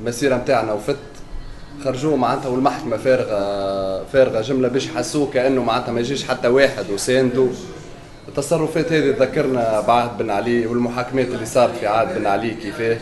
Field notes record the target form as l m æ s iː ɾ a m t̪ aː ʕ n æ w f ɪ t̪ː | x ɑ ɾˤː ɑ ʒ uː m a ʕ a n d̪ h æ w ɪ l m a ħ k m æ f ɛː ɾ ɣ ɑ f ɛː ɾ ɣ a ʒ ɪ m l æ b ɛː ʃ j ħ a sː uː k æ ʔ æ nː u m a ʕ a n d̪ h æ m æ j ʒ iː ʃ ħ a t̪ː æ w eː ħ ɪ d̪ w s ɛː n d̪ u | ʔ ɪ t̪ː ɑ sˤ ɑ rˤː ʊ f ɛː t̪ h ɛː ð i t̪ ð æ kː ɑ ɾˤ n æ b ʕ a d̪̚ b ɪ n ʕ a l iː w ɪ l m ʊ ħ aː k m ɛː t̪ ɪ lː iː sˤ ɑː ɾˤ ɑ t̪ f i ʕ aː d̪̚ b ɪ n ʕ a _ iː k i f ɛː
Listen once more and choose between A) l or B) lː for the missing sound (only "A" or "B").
A